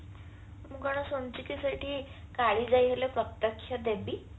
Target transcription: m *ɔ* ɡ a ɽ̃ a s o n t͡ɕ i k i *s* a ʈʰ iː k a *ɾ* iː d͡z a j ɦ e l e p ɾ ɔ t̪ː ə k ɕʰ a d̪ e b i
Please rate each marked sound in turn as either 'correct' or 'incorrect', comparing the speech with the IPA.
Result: incorrect: u, correct, incorrect: ɭ

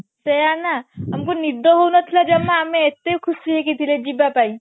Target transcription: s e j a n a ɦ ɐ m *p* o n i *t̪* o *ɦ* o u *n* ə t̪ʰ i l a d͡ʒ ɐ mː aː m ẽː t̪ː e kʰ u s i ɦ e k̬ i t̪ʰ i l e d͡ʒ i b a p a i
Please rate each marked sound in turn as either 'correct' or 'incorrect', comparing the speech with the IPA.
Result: incorrect: k, incorrect: d̪, correct, correct

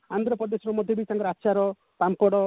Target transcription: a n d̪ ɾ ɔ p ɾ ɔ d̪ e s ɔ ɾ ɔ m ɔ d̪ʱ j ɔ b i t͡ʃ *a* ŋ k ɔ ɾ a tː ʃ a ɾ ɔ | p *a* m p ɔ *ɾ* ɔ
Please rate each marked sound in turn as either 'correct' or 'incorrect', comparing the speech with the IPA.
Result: correct, correct, incorrect: ɽ

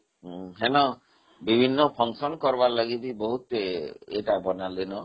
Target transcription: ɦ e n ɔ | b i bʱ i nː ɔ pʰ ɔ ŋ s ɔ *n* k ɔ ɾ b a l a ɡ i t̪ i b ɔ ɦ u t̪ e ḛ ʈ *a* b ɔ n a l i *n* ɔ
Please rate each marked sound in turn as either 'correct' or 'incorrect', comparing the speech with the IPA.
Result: correct, correct, correct

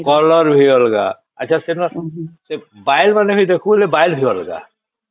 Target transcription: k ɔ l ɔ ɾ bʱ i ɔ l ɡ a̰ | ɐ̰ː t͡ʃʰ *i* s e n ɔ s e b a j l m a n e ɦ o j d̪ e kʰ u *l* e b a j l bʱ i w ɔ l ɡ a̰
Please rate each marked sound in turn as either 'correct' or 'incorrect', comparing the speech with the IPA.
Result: incorrect: a, correct

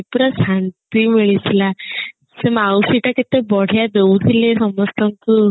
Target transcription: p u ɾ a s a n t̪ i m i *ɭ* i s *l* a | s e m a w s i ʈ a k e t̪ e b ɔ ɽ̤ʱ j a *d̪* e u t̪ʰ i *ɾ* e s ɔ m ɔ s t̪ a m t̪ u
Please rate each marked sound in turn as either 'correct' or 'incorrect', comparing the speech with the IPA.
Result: correct, correct, correct, incorrect: l

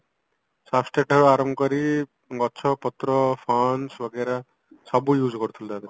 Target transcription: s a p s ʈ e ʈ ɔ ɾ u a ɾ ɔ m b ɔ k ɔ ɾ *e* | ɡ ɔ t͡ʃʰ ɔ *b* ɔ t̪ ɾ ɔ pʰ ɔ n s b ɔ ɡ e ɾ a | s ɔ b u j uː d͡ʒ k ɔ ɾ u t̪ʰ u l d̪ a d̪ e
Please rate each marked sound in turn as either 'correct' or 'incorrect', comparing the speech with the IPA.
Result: incorrect: i, incorrect: p

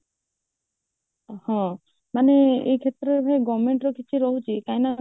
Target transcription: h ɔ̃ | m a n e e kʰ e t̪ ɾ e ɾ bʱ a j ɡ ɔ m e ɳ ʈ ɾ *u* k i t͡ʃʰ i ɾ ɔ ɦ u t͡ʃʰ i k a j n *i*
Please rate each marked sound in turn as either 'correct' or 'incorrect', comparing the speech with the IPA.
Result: incorrect: ɔ, incorrect: a

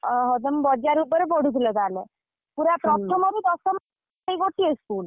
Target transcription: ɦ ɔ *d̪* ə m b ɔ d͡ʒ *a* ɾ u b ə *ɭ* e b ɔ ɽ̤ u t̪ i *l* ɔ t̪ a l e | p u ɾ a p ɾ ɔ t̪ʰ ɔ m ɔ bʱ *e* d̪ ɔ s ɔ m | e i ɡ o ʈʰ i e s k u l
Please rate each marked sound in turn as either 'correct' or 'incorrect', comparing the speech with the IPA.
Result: correct, correct, incorrect: ɾ, correct, incorrect: i

